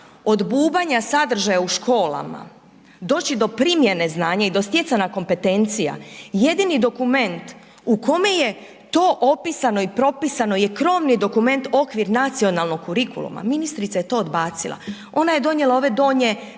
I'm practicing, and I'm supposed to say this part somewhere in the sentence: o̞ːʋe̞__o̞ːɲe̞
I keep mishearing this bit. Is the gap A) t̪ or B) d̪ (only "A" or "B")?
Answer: B